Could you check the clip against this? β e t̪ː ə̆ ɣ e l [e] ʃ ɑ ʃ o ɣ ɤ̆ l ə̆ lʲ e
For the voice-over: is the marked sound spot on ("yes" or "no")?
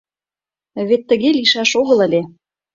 no